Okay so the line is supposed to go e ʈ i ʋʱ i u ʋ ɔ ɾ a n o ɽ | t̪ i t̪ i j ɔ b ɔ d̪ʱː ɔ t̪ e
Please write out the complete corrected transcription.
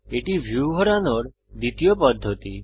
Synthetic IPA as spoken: e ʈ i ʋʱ j u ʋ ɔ ɾ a n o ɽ | d̪ i t̪ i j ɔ p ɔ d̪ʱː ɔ t̪ i